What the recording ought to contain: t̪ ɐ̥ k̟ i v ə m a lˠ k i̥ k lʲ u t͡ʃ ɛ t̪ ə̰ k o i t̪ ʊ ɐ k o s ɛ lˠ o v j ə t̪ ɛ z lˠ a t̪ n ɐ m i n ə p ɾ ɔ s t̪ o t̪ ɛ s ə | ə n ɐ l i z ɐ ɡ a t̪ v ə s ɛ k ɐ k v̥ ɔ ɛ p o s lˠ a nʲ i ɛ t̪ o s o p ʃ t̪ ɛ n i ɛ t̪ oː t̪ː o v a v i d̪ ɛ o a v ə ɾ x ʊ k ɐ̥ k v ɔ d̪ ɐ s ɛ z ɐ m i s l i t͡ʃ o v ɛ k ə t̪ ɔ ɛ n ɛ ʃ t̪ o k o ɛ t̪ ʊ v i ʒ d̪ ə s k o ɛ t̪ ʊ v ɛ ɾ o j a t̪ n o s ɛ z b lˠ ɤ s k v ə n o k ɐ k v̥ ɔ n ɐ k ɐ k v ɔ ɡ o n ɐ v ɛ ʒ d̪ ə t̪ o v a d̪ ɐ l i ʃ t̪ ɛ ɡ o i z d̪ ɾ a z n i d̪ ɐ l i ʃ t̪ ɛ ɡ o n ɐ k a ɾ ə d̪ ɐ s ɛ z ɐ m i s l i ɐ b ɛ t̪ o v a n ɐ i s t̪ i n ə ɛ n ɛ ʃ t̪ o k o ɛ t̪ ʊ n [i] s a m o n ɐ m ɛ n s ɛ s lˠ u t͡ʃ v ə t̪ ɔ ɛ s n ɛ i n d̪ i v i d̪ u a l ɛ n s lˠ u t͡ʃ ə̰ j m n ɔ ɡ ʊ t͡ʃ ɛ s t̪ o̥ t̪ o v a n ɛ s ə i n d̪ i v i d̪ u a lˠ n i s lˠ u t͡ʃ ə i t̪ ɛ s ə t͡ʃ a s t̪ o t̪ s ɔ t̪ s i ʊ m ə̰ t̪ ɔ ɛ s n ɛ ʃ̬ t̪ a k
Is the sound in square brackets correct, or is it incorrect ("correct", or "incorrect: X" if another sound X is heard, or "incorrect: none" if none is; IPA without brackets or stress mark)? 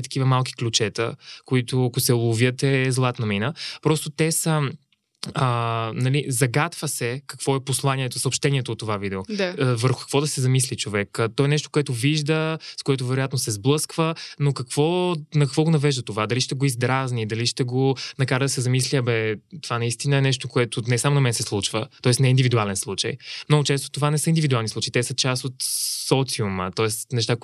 incorrect: ɛ